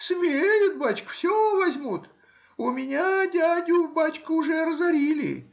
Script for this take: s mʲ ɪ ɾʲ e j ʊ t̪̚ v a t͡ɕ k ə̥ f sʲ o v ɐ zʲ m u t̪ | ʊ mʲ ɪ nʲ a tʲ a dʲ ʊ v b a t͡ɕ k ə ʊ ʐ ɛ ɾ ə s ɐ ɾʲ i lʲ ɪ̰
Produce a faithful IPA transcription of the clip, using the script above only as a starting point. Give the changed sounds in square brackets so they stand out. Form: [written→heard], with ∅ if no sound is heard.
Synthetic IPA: s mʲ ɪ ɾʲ e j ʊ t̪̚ [v→b] a t͡ɕ k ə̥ f sʲ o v ɐ zʲ m u t̪ | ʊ mʲ ɪ nʲ a [tʲ→dʲ] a dʲ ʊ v b a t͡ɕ k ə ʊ ʐ ɛ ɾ ə [s→z] ɐ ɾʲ i lʲ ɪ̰